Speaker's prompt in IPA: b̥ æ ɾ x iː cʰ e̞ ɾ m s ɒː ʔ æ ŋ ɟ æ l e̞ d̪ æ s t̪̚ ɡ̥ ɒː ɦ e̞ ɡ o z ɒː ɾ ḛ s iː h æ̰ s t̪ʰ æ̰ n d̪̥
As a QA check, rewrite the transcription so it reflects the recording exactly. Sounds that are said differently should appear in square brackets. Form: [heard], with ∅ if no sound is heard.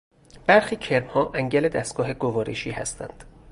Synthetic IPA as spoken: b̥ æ ɾ x iː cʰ e̞ ɾ m [h] ɒː ʔ æ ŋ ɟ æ l e̞ d̪ æ s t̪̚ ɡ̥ ɒː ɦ e̞ ɡ o [v] ɒː ɾ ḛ [ʃ] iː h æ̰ s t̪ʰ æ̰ n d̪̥